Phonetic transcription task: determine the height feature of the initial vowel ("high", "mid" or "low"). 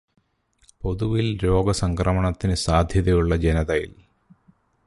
mid